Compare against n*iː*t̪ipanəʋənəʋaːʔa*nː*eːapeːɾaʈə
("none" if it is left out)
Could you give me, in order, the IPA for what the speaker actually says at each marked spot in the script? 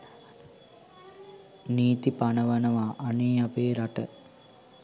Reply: iː, n

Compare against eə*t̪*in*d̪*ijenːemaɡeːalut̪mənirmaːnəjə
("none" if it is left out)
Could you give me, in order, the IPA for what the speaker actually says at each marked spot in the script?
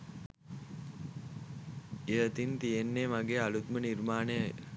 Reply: t̪, t̪

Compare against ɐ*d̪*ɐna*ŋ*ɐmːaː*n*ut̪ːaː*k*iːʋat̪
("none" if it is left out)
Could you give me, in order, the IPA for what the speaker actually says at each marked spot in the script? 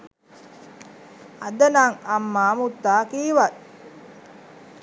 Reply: d̪, ŋ, m, k

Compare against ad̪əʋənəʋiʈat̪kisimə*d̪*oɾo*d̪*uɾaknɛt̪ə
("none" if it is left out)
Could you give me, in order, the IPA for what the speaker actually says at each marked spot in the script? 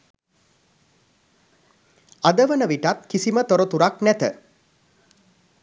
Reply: t̪, t̪

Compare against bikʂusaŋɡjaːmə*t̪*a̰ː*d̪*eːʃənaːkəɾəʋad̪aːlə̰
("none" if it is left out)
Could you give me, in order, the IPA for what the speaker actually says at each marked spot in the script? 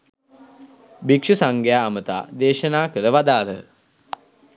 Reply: t̪, d̪

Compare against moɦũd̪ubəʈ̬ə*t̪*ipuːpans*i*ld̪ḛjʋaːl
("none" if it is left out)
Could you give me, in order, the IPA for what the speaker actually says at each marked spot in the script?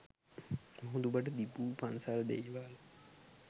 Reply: d̪, a

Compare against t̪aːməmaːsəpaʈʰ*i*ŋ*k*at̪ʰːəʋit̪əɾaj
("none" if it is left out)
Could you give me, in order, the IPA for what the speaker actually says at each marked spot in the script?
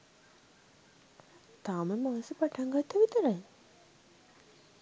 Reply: a, ɡ

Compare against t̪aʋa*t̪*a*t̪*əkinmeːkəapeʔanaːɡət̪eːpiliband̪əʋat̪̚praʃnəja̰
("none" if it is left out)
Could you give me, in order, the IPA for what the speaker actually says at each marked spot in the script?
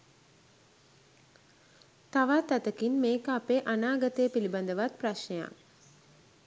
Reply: t̪, t̪

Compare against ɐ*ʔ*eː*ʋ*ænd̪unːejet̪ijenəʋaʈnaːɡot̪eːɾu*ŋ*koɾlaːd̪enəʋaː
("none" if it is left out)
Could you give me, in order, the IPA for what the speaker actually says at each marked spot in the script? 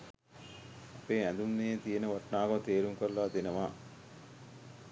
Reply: p, none, ŋ

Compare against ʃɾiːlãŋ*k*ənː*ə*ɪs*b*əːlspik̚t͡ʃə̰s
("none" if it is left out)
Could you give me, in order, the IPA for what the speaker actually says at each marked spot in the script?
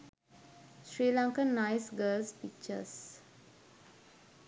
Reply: k, a, ɡ

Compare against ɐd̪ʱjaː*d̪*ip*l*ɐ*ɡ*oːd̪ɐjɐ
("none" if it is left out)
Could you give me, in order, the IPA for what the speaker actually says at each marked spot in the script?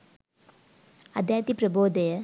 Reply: t̪, ɾ, b

